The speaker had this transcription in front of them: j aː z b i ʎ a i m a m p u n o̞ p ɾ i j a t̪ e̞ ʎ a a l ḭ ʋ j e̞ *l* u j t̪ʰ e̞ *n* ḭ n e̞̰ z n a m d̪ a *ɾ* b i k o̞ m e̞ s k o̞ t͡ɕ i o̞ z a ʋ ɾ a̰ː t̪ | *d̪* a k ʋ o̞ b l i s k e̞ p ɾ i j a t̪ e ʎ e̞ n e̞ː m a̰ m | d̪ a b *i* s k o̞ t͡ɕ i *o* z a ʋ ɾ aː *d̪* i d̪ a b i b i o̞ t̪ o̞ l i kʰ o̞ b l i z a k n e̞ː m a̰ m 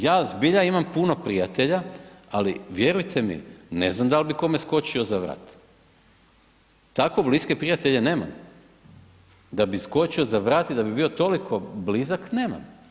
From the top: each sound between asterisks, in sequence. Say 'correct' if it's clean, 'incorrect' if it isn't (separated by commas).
incorrect, incorrect, incorrect, incorrect, correct, correct, incorrect